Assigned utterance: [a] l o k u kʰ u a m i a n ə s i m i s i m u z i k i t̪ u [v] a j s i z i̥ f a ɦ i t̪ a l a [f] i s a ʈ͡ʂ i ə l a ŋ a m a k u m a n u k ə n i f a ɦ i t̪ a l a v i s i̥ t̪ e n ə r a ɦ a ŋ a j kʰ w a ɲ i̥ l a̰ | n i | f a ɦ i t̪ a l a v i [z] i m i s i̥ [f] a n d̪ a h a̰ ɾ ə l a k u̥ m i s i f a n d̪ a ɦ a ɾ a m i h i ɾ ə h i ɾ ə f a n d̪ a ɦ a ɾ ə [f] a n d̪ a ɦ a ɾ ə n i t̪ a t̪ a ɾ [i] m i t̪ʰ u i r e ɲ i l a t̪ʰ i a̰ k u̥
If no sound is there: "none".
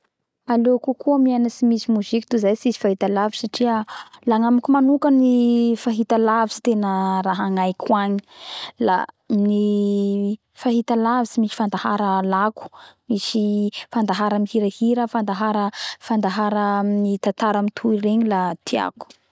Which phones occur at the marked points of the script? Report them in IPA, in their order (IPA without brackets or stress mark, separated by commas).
a, z, v, s, f, f, a